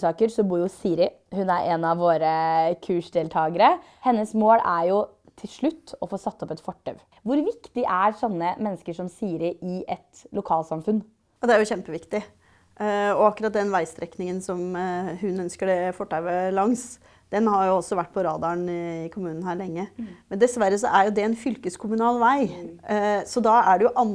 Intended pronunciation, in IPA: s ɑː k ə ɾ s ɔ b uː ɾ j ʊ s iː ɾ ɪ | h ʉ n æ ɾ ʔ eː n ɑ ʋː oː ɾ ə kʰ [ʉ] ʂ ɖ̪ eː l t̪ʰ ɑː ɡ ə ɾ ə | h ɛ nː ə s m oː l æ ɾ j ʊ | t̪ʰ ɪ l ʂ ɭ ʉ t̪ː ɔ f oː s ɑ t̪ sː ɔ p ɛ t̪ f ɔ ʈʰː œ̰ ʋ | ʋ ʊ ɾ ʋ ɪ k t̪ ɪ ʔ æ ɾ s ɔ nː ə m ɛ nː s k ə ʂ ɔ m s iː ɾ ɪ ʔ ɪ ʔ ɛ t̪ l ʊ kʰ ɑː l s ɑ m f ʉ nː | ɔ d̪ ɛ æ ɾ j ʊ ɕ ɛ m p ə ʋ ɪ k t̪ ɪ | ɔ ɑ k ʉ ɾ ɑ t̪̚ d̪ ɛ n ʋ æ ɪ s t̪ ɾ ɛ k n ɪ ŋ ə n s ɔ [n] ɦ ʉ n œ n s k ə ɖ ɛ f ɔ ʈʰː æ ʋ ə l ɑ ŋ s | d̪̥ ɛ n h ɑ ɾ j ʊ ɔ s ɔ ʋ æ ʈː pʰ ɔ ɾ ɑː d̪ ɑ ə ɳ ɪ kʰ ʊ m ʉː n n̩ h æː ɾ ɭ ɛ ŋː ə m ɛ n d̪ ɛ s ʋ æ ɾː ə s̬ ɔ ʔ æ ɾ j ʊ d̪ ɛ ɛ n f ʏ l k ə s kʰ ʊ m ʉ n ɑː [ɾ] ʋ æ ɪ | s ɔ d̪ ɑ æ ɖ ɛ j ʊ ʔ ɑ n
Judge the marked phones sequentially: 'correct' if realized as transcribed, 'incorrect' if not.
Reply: incorrect: ʉː, incorrect: m, incorrect: l

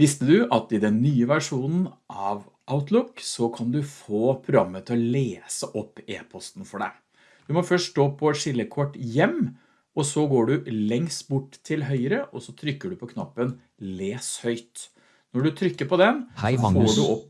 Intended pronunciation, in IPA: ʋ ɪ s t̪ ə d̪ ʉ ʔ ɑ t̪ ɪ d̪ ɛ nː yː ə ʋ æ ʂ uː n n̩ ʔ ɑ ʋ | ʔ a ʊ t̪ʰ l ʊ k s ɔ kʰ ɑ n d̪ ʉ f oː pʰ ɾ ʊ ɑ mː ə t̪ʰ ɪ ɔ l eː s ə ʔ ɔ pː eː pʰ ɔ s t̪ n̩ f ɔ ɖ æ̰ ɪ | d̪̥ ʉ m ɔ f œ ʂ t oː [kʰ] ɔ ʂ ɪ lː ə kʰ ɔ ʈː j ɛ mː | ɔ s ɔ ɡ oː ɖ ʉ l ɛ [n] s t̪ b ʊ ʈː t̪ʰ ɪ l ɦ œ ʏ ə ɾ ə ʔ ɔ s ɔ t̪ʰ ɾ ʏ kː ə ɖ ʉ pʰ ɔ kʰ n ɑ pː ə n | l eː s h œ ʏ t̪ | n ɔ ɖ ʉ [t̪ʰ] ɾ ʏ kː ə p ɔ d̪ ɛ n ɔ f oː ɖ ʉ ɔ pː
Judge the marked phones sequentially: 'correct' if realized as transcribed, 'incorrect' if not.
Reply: incorrect: pʰ, incorrect: ŋ, correct

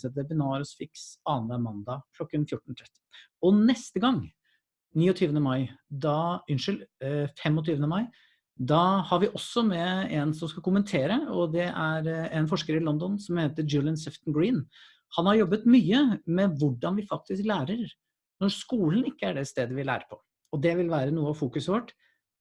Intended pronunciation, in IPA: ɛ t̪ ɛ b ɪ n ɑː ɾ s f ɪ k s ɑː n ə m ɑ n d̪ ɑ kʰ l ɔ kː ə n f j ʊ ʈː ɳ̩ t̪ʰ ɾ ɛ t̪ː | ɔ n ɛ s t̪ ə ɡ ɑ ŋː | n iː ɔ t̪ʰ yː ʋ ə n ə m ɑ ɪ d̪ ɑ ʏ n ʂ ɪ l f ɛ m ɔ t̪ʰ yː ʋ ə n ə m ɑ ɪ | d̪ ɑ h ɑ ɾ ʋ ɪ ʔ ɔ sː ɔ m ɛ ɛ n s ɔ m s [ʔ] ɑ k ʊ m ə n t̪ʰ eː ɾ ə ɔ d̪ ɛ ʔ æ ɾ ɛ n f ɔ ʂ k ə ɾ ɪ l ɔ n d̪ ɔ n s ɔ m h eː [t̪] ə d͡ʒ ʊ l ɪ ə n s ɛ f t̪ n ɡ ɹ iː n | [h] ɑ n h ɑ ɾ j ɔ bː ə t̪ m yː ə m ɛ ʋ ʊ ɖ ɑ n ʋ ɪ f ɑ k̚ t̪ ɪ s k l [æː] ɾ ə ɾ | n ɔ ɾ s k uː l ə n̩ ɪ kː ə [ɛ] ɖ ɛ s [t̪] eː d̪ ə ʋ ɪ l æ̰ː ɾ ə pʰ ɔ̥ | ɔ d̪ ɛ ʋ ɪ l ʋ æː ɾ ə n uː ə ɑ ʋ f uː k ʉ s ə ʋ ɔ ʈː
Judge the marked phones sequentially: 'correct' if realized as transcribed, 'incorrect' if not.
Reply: incorrect: k, correct, correct, correct, incorrect: æ, correct

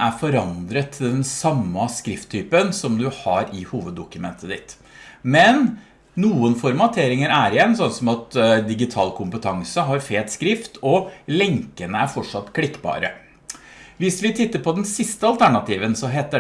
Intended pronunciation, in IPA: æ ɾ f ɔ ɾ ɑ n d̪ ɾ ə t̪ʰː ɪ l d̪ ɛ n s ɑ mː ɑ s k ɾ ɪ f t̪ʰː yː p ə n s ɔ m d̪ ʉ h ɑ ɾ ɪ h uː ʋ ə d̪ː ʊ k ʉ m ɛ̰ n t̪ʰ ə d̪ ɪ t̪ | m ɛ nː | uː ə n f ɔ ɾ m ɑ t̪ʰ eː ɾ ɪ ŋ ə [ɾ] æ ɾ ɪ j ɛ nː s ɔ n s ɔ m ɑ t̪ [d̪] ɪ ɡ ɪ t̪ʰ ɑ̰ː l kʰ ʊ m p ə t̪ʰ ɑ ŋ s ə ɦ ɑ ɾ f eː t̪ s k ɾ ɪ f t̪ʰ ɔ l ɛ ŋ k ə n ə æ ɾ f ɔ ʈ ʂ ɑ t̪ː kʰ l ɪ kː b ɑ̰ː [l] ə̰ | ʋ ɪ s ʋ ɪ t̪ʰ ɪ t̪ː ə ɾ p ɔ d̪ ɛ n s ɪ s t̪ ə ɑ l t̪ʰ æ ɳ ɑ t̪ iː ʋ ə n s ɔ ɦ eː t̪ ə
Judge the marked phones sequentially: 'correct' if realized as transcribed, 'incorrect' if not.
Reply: correct, correct, incorrect: ɾ

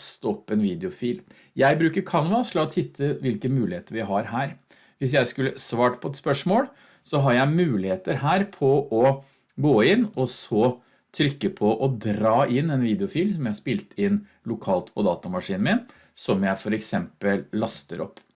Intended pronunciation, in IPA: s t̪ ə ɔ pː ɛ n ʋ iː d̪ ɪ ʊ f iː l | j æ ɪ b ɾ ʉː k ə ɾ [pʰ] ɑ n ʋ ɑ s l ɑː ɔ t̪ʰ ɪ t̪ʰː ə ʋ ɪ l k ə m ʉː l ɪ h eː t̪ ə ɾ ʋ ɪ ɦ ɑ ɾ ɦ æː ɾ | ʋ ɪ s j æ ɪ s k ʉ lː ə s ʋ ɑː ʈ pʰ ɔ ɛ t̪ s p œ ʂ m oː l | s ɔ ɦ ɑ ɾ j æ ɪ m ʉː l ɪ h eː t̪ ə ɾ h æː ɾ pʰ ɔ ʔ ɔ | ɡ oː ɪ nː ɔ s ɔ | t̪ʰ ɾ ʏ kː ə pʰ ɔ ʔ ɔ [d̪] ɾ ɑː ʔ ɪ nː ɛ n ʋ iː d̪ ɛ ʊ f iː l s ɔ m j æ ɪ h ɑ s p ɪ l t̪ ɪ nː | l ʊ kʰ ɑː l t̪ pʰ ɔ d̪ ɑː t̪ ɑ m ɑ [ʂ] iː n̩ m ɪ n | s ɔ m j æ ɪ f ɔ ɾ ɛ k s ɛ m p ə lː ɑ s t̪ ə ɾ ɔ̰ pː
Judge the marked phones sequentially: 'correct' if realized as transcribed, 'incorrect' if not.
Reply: incorrect: kʰ, correct, correct

